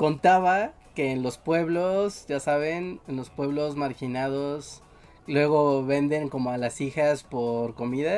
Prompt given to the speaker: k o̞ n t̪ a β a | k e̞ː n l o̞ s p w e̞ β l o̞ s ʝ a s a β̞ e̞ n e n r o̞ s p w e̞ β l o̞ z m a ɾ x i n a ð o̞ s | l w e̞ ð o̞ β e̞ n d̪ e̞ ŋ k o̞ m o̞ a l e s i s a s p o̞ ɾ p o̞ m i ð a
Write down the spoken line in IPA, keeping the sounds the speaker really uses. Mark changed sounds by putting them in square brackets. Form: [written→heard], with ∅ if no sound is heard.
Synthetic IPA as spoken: k o̞ n t̪ a β a | k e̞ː n l o̞ s p w e̞ β l o̞ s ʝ a s a β̞ e̞ n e n [r→l] o̞ s p w e̞ β l o̞ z m a ɾ x i n a ð o̞ s | l w e̞ [ð→ɣ] o̞ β e̞ n d̪ e̞ ŋ k o̞ m o̞ a l [e→a] s i [s→x] a s p o̞ ɾ [p→k] o̞ m i ð a